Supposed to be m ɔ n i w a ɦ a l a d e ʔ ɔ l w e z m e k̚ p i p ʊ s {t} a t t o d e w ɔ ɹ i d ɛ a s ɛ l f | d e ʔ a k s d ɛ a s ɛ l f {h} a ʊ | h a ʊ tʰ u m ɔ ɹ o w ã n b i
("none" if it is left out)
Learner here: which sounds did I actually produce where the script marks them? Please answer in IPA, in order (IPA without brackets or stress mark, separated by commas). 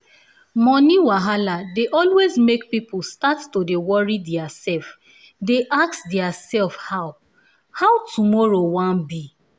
t, h